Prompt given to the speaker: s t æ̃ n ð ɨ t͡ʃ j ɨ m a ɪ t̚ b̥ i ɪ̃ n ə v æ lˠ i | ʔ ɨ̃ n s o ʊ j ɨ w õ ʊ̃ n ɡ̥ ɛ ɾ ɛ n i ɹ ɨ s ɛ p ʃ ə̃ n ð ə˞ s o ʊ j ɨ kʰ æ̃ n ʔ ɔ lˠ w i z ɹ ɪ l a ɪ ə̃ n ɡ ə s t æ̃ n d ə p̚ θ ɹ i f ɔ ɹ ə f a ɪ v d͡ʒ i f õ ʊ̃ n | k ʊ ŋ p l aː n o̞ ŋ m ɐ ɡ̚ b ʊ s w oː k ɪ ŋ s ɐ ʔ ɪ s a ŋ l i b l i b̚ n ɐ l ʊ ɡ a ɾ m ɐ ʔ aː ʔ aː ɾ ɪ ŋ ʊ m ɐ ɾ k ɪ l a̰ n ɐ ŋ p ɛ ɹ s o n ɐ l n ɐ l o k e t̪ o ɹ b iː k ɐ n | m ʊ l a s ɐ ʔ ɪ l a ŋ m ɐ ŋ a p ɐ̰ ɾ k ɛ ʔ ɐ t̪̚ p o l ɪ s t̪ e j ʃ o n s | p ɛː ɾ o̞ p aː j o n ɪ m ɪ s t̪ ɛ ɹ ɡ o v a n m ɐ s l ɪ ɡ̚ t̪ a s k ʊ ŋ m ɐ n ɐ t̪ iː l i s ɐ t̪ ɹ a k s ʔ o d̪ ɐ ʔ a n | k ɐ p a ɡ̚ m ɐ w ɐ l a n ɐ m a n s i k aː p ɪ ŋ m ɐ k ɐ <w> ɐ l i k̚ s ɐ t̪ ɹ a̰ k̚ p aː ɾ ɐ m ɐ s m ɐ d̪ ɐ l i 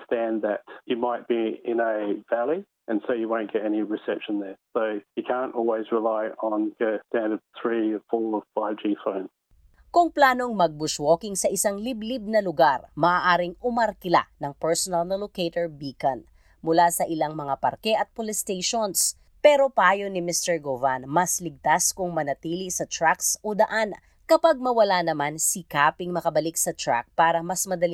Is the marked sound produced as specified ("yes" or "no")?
no